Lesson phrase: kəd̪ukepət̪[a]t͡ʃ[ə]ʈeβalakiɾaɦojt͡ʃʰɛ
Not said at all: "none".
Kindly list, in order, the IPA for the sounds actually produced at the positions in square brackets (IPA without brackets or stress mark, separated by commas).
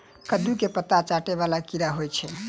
a, a